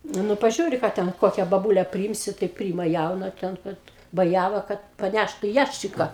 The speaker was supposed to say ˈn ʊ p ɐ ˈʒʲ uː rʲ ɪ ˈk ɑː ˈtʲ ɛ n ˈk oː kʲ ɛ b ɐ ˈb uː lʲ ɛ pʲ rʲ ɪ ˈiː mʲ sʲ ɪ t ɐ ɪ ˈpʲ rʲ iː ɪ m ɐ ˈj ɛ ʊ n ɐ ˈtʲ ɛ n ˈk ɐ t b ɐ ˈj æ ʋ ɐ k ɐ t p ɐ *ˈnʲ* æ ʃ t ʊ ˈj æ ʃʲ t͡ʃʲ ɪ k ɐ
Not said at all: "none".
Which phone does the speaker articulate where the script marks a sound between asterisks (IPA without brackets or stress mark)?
nʲ